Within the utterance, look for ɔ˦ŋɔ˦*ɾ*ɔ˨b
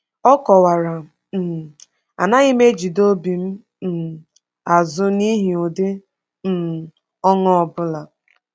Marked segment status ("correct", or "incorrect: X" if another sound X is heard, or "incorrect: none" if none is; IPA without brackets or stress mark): incorrect: none